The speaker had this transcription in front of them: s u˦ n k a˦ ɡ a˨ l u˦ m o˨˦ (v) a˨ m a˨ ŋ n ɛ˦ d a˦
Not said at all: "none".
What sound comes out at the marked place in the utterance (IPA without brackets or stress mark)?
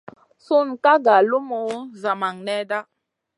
z